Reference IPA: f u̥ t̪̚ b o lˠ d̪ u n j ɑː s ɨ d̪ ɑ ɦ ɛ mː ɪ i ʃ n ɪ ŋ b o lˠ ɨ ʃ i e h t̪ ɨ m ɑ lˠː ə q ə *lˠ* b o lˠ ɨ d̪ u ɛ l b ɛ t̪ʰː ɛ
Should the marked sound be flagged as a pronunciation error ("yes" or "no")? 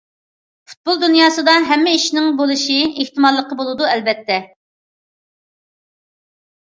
yes